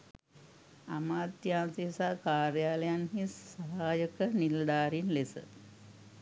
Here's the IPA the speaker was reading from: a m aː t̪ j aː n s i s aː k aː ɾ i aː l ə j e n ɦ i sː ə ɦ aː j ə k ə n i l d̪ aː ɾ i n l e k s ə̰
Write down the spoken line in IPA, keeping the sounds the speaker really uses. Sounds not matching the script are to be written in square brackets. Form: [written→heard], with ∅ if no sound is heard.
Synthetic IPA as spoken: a m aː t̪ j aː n s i s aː k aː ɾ [i→j] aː l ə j [e→a] n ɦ i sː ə ɦ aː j ə k ə n i l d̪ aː ɾ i n l e [k→∅] s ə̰